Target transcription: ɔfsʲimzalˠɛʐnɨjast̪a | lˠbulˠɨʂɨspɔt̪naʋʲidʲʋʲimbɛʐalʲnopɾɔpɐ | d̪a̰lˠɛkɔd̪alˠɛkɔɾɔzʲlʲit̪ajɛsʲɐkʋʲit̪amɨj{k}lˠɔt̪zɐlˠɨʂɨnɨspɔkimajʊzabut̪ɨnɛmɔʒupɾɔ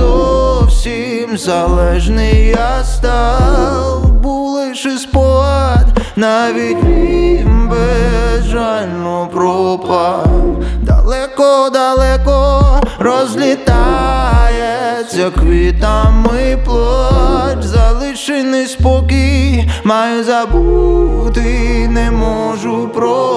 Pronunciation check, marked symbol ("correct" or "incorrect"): incorrect